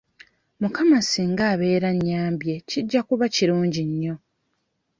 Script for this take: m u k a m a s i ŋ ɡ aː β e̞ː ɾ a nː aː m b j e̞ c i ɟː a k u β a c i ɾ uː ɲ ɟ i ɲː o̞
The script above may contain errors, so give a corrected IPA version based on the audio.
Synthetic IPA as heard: m u k a m a s i ŋ ɡ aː β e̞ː ɾ a ɲː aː m b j e̞ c i ɟː a k u β a c i ɾ uː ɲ ɟ i ɲː o̞